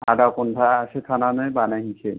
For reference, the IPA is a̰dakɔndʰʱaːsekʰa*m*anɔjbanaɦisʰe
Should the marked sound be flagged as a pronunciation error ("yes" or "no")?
yes